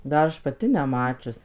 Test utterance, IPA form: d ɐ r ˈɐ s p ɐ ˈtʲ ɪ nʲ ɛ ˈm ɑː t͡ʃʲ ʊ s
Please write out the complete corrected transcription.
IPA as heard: d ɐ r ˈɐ ʃ p ɐ ˈtʲ ɪ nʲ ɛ ˈm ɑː t͡ʃʲ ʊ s